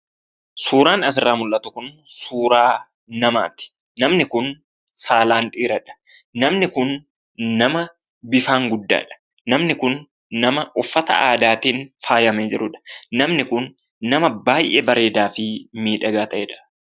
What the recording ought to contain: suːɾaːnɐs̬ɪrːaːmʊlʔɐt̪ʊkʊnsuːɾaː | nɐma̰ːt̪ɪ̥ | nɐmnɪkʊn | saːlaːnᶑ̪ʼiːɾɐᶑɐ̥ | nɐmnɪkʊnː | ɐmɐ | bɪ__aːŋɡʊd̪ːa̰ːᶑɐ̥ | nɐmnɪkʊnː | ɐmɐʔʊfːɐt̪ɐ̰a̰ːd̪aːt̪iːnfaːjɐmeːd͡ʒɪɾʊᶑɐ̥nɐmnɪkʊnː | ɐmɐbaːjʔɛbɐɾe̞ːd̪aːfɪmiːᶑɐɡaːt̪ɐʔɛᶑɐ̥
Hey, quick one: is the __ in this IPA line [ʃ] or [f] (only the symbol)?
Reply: f